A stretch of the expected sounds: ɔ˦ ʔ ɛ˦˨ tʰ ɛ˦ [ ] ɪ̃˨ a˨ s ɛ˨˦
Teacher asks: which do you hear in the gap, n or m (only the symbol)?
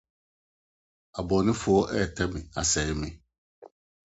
m